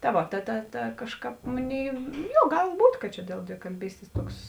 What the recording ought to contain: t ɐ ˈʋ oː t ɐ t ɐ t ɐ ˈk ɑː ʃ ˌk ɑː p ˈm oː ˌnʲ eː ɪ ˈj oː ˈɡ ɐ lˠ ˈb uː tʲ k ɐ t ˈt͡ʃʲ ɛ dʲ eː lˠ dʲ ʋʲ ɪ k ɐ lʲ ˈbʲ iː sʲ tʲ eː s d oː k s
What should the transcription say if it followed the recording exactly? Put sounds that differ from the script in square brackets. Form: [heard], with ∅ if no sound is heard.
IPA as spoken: t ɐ ˈʋ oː t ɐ t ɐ t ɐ ˈk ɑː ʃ ˌk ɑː p ˈm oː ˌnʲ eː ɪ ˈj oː ˈɡ ɐ lˠ ˈb uː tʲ k ɐ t ˈt͡ʃʲ ɛ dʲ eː lˠ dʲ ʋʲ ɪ k ɐ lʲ ˈbʲ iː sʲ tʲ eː s [t] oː k s